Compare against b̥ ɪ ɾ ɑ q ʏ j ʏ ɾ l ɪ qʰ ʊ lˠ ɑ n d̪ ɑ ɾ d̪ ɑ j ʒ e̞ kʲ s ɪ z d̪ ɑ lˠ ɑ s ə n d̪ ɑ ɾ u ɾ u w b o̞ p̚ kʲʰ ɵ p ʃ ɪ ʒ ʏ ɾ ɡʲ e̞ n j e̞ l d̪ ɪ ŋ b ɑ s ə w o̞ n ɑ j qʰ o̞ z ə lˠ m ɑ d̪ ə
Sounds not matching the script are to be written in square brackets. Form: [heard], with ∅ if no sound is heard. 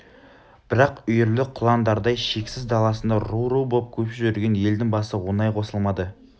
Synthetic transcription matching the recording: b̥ ɪ ɾ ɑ q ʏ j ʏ ɾ l ɪ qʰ ʊ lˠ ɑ n d̪ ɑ ɾ d̪ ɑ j [ʃ] e̞ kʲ s ɪ z d̪ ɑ lˠ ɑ s ə n d̪ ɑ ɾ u ɾ u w b o̞ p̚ kʲʰ ɵ p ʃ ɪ ʒ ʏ ɾ ɡʲ e̞ n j e̞ l d̪ ɪ ŋ b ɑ s ə w o̞ n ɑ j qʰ o̞ [s] ə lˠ m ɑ d̪ ə